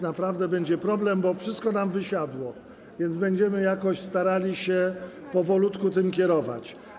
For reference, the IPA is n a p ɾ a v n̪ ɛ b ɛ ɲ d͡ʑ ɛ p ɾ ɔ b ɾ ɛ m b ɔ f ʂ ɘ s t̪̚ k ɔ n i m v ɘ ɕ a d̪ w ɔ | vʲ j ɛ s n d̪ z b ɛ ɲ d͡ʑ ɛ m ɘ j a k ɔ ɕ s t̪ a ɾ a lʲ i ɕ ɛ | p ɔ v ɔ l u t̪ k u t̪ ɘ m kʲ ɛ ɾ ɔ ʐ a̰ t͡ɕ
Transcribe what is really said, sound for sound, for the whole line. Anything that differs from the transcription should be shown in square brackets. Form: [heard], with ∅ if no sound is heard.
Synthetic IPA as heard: n a p ɾ a v [d̪] ɛ b ɛ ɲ d͡ʑ ɛ p ɾ ɔ b [l] ɛ m b ɔ f ʂ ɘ s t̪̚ k ɔ n [a] m v ɘ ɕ a d̪ w ɔ | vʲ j ɛ [∅] n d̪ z b ɛ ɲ d͡ʑ ɛ m ɘ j a k ɔ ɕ s t̪ a ɾ a lʲ i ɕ ɛ | p ɔ v ɔ l u t̪ k u t̪ ɘ m kʲ ɛ ɾ ɔ [v] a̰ t͡ɕ